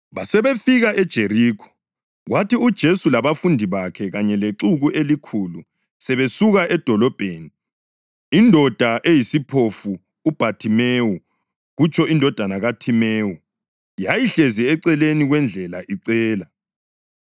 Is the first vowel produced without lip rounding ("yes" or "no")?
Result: yes